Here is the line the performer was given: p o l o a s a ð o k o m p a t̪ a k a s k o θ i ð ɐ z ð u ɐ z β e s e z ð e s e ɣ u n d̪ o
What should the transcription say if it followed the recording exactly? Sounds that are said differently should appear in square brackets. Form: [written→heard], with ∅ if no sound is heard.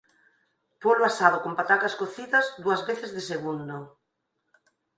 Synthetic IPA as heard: p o l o a s a ð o k o m p a t̪ a k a s k o θ i ð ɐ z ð u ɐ z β e [s→θ] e z ð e s e ɣ u n d̪ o